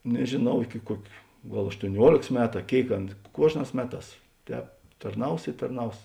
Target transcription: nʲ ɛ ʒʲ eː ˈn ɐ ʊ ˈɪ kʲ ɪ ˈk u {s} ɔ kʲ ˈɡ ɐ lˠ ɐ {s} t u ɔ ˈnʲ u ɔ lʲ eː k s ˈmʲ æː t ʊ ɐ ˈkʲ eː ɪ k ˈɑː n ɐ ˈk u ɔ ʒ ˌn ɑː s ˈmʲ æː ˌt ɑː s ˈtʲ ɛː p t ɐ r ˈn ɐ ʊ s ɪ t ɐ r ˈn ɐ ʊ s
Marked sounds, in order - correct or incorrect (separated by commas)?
incorrect, incorrect